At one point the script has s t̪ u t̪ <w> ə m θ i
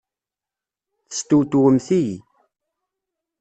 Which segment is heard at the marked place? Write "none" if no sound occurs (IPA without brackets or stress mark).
w